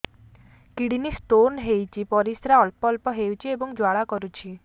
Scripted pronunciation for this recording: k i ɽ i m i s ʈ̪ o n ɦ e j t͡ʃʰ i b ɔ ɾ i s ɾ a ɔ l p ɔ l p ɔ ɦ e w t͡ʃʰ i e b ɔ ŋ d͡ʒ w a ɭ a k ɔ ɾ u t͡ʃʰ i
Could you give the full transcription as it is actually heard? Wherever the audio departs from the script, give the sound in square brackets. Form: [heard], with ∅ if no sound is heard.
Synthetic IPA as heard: k i ɽ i [n] i s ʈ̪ o n ɦ e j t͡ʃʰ i [p] ɔ ɾ i s ɾ a ɔ l p ɔ l p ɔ ɦ e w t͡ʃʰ i e b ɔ ŋ d͡ʒ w a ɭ a k ɔ ɾ u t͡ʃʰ i

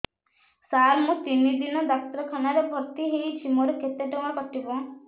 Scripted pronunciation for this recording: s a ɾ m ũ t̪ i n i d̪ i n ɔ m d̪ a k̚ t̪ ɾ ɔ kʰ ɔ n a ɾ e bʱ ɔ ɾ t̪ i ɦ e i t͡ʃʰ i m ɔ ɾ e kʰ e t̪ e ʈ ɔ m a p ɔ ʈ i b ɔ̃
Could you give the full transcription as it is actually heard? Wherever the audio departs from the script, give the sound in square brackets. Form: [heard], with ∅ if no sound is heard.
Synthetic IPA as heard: s a ɾ m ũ t̪ i n i d̪ i n ɔ [∅] d̪ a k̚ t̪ ɾ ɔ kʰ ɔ n a ɾ e bʱ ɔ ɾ t̪ i ɦ e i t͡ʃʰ i m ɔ ɾ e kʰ e t̪ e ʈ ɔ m a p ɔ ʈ i b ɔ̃

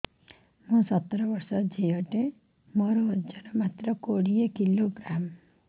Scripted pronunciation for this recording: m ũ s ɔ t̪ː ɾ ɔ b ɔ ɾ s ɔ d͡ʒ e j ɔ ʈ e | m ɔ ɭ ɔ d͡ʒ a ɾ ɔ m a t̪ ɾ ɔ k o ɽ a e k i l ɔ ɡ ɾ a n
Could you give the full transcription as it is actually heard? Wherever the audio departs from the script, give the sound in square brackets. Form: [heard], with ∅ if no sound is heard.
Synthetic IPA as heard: m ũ s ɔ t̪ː ɾ ɔ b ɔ ɾ s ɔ d͡ʒ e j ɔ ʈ e | m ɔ [ɾ] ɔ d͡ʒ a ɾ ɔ m a t̪ ɾ ɔ k o ɽ [i] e k i l [o] ɡ ɾ a [m]

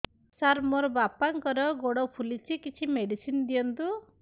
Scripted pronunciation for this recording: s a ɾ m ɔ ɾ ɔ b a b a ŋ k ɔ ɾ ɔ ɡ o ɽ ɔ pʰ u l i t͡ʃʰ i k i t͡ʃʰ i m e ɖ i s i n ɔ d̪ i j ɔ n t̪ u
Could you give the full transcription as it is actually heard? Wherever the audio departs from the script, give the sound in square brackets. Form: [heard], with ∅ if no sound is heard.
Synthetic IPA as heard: s a ɾ m ɔ ɾ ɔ b a [p] a ŋ k ɔ ɾ ɔ ɡ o ɽ ɔ pʰ u l i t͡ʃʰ i k i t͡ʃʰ i m e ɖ i s i n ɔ d̪ i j ɔ n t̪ u

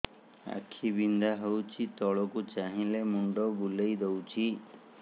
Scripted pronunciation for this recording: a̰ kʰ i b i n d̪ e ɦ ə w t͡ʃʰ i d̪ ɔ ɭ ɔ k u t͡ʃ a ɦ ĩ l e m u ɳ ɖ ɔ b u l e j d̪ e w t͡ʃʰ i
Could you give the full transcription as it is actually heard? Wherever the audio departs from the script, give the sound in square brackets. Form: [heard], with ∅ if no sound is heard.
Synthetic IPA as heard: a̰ kʰ i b i n d̪ [a] ɦ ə w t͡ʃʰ i [t̪] ɔ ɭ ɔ k u t͡ʃ a ɦ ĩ l e m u ɳ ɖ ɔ b u l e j d̪ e w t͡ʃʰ i

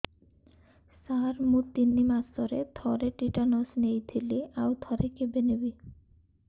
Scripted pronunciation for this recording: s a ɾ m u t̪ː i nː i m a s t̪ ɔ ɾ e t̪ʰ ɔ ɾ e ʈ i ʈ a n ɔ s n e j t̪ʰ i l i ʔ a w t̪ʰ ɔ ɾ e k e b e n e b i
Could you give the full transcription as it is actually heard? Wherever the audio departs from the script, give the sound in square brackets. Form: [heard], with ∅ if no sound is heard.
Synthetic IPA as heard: s a ɾ m u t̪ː i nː i m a s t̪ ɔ ɾ e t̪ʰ ɔ ɾ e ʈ i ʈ a n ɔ s n e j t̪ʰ i l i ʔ a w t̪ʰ ɔ ɾ e k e b e n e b i

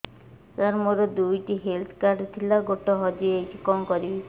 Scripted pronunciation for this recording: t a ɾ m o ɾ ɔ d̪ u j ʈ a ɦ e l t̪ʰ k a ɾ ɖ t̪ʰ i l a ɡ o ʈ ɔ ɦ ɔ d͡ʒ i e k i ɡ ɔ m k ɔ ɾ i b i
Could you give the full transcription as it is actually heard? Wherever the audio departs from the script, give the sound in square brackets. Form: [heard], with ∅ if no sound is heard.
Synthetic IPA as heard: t a ɾ m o ɾ ɔ d̪ u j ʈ [i] ɦ e l t̪ʰ k a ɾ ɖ t̪ʰ i l a ɡ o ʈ ɔ ɦ ɔ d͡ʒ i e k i [k] ɔ m k ɔ ɾ i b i

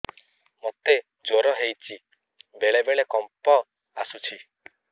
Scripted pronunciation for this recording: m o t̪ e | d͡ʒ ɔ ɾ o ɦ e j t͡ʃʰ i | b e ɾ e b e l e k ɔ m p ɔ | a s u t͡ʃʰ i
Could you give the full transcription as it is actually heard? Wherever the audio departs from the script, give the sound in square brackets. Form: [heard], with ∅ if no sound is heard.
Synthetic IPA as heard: m o t̪ e | d͡ʒ [o] ɾ [ɔ] ɦ e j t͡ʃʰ i | b e [ɭ] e b e [ɭ] e k ɔ m p ɔ | a s u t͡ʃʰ i

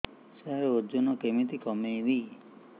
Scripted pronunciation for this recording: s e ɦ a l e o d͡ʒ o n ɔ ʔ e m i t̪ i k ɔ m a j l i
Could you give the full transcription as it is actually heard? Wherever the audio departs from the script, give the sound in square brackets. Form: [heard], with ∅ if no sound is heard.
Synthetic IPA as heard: s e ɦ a [ɾ] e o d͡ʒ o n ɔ [k] e m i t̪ i k ɔ m [e] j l i

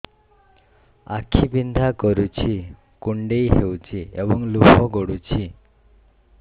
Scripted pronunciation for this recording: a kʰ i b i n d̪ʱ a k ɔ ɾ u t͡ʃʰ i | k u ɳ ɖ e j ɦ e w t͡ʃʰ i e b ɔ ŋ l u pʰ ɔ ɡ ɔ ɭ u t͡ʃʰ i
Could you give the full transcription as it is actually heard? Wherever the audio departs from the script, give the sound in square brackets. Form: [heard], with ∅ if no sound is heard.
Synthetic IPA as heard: a kʰ i b i n d̪ʱ a k ɔ ɾ u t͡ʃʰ i | k u ɳ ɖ e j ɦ e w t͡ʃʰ i e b ɔ ŋ l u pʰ ɔ ɡ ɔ [ɽ] u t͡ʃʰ i

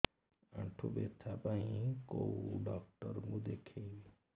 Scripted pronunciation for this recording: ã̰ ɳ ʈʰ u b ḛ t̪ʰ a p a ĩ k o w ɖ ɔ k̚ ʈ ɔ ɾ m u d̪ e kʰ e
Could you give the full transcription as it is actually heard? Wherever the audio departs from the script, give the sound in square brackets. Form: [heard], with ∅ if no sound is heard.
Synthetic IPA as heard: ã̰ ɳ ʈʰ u b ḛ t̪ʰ a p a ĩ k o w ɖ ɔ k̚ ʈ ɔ ɾ m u d̪ e kʰ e

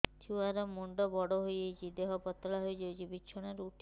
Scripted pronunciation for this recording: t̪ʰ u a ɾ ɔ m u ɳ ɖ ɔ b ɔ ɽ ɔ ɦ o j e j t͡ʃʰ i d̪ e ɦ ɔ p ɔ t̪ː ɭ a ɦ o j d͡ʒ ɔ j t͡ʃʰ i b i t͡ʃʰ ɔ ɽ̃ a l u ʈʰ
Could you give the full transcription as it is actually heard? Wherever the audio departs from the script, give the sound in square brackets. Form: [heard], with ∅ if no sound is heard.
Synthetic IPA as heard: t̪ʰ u a ɾ ɔ m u ɳ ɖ ɔ b ɔ ɽ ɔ ɦ o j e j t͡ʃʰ i d̪ e ɦ ɔ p ɔ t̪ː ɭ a ɦ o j d͡ʒ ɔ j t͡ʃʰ i b i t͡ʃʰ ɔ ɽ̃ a [ɾ] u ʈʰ

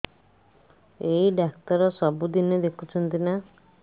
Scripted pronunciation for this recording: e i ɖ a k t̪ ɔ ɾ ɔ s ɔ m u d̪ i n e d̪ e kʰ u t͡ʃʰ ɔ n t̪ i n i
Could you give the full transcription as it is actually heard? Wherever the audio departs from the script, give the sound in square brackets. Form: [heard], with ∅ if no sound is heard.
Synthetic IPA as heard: e i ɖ a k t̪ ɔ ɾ ɔ s ɔ [b] u d̪ i n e d̪ e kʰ u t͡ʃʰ ɔ n t̪ i n [a]

